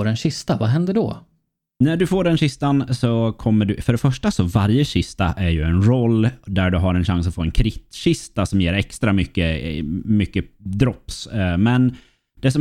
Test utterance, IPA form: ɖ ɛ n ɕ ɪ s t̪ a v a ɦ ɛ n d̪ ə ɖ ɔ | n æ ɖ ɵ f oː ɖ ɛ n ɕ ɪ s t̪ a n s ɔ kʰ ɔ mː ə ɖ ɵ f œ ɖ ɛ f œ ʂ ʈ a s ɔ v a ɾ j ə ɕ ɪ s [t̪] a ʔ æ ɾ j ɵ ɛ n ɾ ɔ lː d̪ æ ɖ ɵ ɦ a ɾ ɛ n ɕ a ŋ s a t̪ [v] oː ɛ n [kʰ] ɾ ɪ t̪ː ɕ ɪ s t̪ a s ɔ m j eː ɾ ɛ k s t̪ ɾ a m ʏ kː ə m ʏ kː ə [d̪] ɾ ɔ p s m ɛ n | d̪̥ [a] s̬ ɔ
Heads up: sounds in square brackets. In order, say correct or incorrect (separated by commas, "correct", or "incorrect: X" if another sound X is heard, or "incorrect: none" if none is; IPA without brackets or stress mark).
correct, incorrect: f, correct, correct, incorrect: ɛ